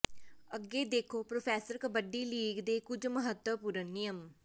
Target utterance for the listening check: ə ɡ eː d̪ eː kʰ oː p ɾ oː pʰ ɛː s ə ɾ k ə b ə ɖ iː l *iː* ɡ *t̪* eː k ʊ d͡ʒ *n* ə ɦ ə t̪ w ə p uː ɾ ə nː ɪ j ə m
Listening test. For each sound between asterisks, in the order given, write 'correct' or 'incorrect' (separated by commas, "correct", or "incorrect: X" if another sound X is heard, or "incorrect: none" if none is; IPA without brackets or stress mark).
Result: correct, incorrect: d̪, incorrect: m